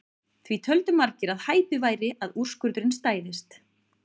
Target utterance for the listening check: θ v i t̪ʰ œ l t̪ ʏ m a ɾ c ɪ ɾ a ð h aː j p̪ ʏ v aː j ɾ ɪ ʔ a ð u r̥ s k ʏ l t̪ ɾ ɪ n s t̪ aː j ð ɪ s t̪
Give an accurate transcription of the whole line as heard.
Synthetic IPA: θ v i t̪ʰ œ l t̪ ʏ m a ɾ c ɪ ɾ a ð h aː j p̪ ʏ v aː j ɾ ɪ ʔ a ð u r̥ s k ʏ ɾ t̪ ɾ ɪ n s t̪ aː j ð ɪ s t̪